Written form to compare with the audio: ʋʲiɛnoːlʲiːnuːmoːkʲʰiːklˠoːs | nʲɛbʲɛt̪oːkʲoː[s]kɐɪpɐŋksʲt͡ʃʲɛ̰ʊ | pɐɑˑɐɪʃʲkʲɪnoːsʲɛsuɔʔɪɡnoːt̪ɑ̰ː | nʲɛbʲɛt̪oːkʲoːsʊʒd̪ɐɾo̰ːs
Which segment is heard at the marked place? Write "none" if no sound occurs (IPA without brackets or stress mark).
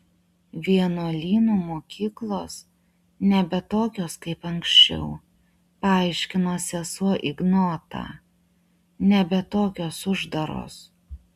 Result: s